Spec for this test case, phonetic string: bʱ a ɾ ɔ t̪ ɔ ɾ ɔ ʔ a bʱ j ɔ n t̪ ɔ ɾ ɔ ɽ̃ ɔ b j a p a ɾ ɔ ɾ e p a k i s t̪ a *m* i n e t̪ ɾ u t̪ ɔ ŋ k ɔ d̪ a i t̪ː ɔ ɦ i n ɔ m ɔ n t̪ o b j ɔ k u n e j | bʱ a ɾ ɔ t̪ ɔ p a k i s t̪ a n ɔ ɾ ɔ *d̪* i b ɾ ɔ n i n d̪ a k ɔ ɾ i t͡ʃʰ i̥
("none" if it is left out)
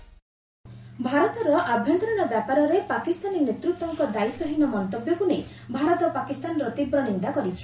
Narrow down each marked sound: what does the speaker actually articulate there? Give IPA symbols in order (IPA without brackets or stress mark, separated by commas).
n, t̪